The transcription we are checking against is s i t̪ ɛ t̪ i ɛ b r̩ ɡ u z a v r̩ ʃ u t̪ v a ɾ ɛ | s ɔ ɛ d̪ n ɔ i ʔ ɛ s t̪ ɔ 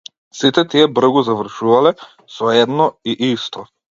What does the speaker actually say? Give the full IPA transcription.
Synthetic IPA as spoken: s i t̪ ɛ t̪ i ɛ b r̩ ɡ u z a v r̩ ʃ u v a l ɛ | s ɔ ɛ d̪ n ɔ i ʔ i s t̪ ɔ